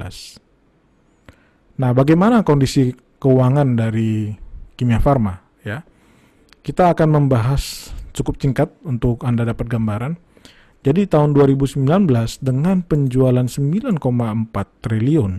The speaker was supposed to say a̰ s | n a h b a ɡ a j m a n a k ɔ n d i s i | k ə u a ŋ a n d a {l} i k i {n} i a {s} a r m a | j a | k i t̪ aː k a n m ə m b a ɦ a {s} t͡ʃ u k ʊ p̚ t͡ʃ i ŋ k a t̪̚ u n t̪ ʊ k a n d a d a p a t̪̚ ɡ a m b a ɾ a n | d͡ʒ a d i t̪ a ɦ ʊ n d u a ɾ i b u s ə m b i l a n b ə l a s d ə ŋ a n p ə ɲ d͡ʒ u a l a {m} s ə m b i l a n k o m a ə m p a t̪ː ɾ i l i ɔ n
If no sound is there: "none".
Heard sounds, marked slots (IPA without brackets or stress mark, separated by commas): ɾ, m, f, s, n